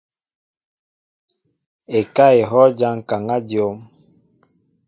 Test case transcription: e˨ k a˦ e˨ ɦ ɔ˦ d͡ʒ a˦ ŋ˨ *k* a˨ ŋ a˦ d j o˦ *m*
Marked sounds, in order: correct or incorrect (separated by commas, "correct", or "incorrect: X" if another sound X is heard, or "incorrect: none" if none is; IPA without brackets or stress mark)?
correct, correct